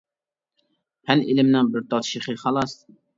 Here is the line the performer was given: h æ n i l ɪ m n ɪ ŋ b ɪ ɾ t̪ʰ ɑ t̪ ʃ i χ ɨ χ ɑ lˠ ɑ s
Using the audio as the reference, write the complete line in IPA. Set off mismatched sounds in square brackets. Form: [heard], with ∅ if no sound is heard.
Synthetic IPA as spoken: h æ n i l ɪ m n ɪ ŋ b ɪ ɾ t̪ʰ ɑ t̪ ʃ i χ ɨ χ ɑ lˠ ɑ s